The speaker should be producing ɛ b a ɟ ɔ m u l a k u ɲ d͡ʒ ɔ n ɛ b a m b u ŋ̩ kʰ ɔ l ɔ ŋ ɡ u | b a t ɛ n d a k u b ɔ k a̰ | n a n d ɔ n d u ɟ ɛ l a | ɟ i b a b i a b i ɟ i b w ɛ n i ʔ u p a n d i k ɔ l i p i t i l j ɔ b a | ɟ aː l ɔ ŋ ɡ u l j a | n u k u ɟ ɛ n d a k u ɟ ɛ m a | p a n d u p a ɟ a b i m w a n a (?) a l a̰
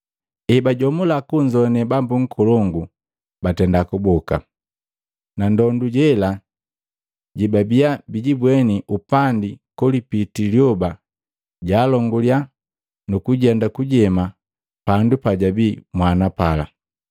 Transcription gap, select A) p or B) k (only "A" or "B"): A